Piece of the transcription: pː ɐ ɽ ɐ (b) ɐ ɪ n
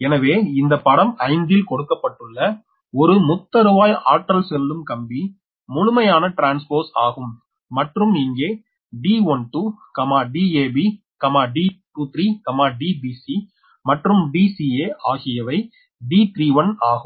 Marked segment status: incorrect: m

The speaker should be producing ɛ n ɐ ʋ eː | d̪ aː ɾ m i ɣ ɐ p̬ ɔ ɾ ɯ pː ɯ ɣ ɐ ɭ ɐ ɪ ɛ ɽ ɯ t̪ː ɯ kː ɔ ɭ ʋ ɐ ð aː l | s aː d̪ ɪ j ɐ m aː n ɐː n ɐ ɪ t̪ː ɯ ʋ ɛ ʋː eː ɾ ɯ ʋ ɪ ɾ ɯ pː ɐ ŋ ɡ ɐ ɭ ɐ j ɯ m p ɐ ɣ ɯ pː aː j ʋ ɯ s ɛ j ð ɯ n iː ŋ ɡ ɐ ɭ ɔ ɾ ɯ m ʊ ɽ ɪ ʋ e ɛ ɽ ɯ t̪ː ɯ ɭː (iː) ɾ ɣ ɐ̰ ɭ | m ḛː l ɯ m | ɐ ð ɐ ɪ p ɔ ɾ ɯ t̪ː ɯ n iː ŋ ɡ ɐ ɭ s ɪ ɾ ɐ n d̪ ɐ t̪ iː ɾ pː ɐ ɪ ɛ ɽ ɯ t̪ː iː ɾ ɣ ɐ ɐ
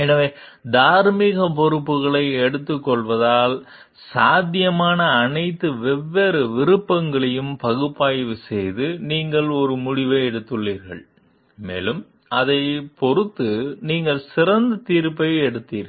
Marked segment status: correct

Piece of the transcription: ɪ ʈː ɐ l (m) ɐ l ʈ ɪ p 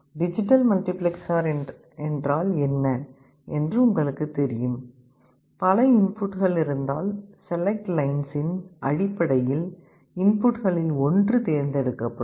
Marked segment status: correct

